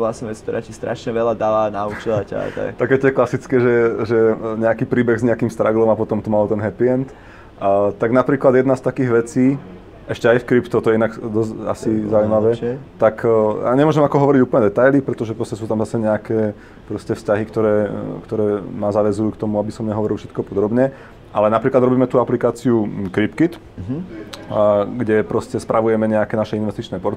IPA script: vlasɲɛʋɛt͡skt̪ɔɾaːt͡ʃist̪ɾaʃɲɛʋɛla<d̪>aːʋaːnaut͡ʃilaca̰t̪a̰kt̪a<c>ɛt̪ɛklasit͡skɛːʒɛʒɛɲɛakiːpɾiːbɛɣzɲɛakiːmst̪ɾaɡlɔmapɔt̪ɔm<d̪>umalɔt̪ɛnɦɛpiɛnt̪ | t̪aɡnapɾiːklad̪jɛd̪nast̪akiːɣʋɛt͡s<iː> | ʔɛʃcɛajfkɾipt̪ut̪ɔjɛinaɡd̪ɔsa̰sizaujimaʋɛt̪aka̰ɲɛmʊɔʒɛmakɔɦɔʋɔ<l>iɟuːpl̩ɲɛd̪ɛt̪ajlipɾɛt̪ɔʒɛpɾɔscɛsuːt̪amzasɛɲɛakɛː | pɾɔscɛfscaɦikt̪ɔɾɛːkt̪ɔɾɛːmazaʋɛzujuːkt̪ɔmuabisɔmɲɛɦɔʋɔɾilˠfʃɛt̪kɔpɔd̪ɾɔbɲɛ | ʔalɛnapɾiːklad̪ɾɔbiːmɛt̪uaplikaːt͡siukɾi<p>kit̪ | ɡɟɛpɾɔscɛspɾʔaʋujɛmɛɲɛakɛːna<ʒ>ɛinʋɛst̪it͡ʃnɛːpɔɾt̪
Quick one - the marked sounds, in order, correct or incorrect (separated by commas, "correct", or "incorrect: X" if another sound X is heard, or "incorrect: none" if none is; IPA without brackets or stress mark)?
correct, incorrect: k, incorrect: t̪, correct, incorrect: ɾ, correct, incorrect: ʃ